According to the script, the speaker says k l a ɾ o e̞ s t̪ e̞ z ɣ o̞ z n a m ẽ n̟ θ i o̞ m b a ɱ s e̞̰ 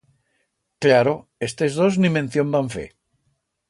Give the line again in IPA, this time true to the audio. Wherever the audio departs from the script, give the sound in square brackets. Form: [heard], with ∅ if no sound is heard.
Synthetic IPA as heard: k l a ɾ o e̞ s t̪ e̞ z [ð] o̞ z n [i] m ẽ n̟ θ [j] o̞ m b a ɱ [f] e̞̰